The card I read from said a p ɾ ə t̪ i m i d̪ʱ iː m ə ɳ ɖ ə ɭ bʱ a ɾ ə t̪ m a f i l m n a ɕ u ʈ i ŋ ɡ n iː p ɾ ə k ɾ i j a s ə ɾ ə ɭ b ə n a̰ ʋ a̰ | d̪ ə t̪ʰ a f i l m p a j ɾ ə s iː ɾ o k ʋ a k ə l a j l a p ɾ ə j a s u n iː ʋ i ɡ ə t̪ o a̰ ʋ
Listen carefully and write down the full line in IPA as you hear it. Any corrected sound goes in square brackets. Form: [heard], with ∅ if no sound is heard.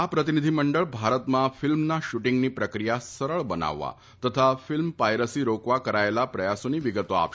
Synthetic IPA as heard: a p ɾ ə t̪ i [n] i d̪ʱ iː m ə ɳ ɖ ə ɭ bʱ a ɾ ə t̪ m a f i l m n a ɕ u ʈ i ŋ ɡ n iː p ɾ ə k ɾ i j a s ə ɾ ə ɭ b ə n a̰ [ʋː] a̰ | [t̪] ə t̪ʰ a f i l m p a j ɾ ə s iː ɾ o k ʋ a k ə [ɾ] a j l a p ɾ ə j a s u n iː ʋ i ɡ ə t̪ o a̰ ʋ

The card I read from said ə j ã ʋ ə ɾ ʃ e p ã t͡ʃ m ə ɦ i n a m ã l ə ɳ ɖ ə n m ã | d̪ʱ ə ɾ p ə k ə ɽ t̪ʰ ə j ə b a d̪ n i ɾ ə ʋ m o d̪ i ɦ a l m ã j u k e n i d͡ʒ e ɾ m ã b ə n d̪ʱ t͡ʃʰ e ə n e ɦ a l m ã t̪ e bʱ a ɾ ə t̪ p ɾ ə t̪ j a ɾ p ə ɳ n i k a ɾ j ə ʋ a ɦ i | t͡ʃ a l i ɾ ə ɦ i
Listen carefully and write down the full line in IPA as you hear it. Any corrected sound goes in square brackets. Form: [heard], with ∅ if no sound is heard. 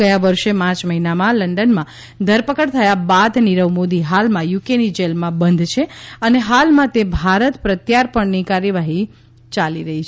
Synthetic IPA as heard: ə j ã ʋ ə ɾ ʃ e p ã t͡ʃ m ə ɦ i n a m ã l ə ɳ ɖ ə n m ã | d̪ʱ ə ɾ p ə k ə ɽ t̪ʰ ə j [a] b a d̪ n i ɾ ə ʋ m o d̪ i ɦ a l m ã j u k e n i d͡ʒ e [l] m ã b ə n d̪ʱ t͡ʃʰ e ə n e ɦ a l m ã t̪ e bʱ a ɾ ə t̪ p ɾ ə t̪ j a ɾ p ə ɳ n i k a ɾ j ə ʋ a ɦ i | t͡ʃ a l i ɾ ə ɦ i

